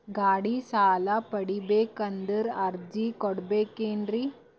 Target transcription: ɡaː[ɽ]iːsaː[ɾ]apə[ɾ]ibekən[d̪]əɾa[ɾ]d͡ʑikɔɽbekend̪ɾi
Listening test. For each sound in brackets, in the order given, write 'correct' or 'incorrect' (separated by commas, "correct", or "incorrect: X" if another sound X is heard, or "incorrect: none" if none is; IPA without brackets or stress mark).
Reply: correct, incorrect: l, incorrect: ɽ, correct, correct